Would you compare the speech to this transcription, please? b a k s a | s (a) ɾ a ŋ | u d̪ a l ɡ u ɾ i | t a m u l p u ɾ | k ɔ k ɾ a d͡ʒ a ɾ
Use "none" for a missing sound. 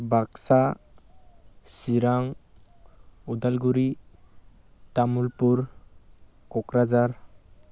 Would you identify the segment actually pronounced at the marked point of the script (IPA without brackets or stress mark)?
i